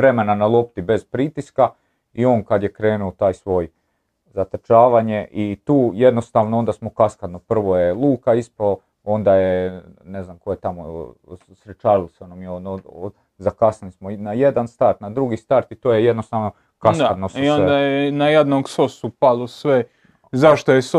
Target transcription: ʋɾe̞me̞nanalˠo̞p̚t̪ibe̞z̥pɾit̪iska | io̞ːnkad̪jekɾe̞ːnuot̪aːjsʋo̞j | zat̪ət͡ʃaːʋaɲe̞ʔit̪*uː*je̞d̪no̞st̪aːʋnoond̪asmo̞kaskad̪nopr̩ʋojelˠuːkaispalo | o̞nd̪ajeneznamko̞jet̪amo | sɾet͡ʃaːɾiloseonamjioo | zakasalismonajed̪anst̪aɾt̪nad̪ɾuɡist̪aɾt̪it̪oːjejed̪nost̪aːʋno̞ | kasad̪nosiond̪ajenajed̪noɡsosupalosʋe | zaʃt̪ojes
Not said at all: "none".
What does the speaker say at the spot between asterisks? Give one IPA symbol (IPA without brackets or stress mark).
uː